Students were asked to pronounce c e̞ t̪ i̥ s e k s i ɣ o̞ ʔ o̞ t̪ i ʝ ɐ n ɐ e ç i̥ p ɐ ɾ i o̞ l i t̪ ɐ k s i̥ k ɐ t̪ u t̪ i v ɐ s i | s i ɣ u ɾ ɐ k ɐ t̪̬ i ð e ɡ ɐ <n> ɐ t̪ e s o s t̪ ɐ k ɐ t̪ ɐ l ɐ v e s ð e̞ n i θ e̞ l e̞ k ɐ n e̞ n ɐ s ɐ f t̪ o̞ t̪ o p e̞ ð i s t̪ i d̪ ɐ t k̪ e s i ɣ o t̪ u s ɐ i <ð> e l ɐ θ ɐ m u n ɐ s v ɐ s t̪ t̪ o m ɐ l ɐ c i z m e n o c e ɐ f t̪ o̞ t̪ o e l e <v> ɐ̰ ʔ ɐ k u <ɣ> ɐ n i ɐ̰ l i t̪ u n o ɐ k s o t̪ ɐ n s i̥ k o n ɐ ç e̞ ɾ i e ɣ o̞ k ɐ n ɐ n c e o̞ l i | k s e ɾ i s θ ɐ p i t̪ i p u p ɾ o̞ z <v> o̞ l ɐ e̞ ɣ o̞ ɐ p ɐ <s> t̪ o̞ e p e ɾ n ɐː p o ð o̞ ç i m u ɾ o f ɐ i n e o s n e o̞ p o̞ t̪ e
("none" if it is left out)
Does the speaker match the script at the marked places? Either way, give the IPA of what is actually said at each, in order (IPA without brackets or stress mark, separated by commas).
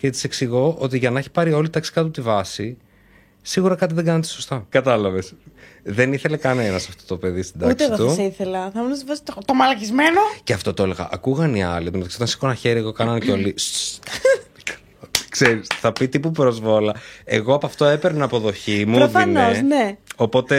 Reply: n, θ, ɣ, ɣ, v, f